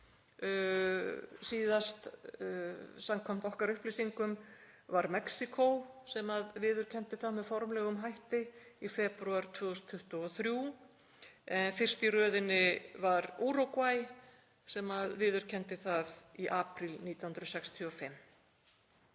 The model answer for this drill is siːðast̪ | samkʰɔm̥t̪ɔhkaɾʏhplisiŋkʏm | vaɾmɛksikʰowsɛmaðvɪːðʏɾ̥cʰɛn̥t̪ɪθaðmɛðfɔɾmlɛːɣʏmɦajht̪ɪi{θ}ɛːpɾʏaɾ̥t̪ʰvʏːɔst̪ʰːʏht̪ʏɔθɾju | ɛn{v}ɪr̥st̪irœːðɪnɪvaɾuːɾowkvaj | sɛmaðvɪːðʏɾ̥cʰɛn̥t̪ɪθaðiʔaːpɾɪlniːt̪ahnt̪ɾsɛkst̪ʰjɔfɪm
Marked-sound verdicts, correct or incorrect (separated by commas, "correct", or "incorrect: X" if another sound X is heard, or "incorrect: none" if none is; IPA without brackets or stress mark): incorrect: f, incorrect: f